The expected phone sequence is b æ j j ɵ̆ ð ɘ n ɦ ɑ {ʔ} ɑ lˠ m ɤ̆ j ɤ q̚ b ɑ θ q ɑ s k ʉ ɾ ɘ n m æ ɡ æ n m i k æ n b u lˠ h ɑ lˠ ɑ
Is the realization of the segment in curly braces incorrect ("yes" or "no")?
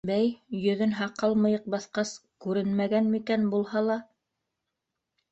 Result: yes